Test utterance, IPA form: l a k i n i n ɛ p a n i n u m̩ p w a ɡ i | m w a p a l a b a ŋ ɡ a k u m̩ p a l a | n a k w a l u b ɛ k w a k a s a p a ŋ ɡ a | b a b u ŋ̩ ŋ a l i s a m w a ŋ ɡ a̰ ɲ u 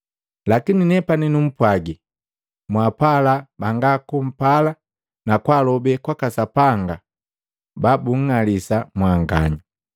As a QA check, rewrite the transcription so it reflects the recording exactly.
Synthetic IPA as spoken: l a k i n i n ɛ p a n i n u m̩ p w a ɡ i | m w a p a l a b a ŋ ɡ a k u m̩ p a l a | n a k w a l ɔ b ɛ k w a k a s a p a ŋ ɡ a | b a b u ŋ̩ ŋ a l i s a m w a ŋ ɡ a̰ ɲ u